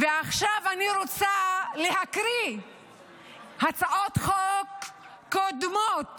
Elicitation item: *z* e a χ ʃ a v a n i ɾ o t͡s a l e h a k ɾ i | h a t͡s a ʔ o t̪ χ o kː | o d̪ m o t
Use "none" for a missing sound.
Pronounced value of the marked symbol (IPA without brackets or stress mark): v